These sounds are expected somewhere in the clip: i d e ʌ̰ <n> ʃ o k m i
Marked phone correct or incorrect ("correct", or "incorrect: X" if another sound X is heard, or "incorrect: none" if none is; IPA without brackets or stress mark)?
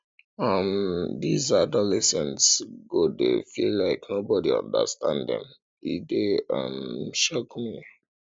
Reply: incorrect: m